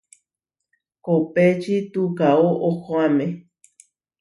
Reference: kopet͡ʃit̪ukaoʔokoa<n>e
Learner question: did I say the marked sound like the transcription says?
no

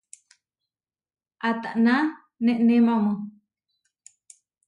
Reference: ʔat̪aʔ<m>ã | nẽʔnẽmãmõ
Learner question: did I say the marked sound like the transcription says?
no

